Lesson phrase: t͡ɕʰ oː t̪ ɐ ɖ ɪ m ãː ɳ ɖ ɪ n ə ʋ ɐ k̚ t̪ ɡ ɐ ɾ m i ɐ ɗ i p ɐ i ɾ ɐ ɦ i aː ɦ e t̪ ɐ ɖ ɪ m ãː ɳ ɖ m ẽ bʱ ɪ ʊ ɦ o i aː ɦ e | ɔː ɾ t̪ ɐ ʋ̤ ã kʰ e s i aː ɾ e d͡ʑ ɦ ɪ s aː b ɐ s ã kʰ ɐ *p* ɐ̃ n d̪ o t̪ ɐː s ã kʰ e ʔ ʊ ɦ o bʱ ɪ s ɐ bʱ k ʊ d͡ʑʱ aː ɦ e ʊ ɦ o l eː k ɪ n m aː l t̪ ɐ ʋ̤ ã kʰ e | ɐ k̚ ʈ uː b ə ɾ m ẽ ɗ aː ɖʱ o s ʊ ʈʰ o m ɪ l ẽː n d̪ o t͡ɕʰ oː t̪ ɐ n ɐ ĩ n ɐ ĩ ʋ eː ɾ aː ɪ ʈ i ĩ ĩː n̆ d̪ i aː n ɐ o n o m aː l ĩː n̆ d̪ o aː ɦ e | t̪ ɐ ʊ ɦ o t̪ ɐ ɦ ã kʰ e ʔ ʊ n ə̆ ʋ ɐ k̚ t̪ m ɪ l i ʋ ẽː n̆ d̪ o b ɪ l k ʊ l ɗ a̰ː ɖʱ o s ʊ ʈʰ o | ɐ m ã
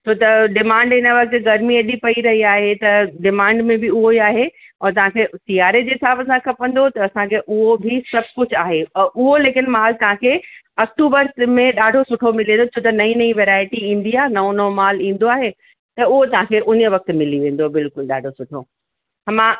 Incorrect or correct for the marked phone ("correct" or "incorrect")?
correct